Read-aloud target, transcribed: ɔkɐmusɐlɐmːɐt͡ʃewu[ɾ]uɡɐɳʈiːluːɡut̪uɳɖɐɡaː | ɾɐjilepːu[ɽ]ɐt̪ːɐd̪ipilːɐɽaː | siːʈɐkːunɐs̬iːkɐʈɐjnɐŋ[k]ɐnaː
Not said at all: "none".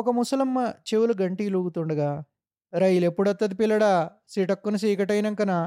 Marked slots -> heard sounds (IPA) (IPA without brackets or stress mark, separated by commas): l, ɽ, k